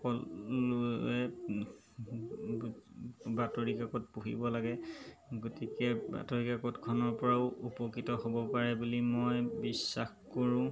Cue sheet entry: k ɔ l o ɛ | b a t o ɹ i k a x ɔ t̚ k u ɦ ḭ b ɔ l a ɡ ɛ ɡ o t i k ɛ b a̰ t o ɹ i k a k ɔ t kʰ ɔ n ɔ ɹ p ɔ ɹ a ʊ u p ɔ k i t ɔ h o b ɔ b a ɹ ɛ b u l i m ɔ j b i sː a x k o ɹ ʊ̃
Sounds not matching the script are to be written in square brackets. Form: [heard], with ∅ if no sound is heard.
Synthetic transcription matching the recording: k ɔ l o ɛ | b a t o ɹ i k a [k] ɔ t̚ [p] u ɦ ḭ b ɔ l a ɡ ɛ ɡ o t i k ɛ b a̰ t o ɹ i k a k ɔ t kʰ ɔ n ɔ ɹ p ɔ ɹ a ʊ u p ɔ k i t ɔ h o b ɔ [p] a ɹ ɛ b u l i m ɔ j b i sː a x k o ɹ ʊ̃